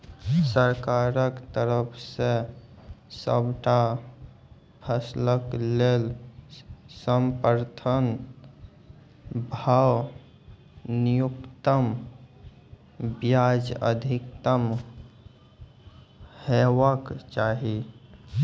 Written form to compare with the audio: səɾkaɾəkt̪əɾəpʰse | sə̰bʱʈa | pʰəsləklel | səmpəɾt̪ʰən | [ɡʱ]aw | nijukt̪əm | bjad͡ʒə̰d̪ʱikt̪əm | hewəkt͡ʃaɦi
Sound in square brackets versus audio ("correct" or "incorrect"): incorrect